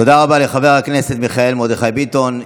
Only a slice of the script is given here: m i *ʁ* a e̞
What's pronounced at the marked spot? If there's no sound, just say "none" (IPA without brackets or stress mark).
χ